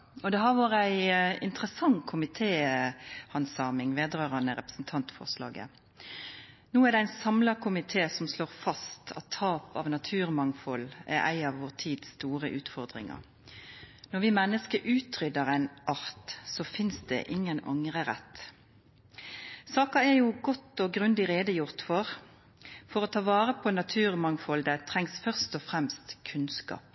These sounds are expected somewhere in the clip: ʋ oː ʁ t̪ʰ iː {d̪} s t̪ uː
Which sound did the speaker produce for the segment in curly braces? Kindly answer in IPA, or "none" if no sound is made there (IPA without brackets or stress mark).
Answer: d̪